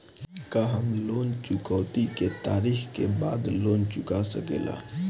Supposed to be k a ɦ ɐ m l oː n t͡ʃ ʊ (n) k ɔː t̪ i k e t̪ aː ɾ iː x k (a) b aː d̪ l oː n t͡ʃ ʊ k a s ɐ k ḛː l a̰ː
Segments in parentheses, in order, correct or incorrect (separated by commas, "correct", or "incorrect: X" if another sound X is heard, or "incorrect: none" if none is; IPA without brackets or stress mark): incorrect: none, incorrect: e